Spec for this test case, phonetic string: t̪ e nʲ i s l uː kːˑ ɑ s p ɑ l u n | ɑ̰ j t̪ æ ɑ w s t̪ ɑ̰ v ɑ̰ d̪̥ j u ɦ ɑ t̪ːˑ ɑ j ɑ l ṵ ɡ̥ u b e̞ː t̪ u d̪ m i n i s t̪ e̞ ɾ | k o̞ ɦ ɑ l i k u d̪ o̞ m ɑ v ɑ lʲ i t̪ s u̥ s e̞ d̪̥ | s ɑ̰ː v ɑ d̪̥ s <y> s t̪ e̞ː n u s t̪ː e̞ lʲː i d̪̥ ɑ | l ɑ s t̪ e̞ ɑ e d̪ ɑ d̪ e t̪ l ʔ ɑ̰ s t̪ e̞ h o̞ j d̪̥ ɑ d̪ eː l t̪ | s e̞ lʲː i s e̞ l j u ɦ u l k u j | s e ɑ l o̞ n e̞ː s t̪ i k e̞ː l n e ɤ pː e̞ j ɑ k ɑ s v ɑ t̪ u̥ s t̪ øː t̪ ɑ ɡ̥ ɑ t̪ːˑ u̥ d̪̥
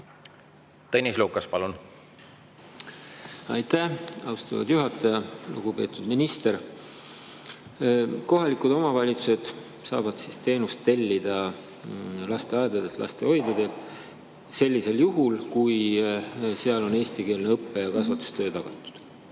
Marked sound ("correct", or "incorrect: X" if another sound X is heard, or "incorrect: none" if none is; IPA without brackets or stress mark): incorrect: i